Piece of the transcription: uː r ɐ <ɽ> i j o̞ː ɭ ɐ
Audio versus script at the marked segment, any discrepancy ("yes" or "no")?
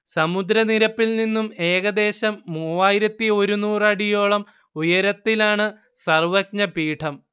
no